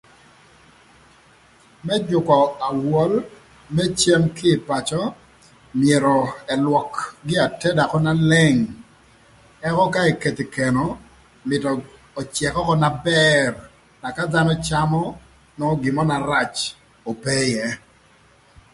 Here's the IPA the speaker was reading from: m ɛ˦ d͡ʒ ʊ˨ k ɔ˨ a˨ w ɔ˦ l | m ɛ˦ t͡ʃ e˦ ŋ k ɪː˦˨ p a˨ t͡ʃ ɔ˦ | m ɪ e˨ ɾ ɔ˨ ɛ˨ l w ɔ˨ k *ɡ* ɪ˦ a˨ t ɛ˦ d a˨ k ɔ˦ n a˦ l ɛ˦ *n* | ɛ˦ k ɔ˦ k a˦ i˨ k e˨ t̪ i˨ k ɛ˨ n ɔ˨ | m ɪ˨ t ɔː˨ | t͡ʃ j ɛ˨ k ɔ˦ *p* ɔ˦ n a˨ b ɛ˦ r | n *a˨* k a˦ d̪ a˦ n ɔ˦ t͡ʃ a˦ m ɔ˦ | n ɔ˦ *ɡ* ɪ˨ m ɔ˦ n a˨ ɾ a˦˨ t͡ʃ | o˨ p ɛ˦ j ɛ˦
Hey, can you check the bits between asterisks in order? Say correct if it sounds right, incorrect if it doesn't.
correct, incorrect: ŋ, incorrect: k, correct, correct

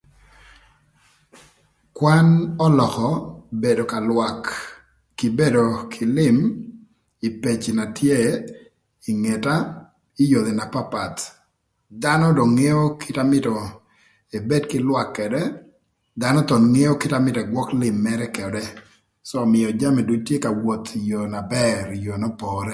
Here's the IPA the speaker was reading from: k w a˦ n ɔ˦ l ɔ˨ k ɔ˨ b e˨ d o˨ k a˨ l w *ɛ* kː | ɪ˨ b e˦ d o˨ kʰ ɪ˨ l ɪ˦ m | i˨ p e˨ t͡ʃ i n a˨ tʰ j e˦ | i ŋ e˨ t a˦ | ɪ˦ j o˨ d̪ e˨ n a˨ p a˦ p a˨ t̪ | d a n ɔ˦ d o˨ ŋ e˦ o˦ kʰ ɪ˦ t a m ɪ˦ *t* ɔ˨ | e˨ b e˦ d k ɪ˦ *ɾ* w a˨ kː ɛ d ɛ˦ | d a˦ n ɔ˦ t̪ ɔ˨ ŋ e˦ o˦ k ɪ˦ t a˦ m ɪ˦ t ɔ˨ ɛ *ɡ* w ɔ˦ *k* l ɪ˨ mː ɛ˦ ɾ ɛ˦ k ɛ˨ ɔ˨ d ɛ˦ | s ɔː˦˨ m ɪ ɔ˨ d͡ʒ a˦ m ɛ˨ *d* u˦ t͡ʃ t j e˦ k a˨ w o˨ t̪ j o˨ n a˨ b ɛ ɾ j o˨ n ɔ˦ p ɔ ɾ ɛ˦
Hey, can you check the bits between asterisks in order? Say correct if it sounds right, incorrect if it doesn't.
incorrect: a, correct, incorrect: l, correct, correct, correct

